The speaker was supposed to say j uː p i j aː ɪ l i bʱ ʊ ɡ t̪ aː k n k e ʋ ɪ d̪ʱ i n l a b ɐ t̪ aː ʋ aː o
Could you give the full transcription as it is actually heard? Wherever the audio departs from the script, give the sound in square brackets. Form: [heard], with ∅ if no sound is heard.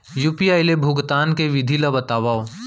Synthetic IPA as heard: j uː p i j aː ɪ l [e] bʱ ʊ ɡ t̪ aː [∅] n k e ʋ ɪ d̪ʱ i [∅] l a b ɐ t̪ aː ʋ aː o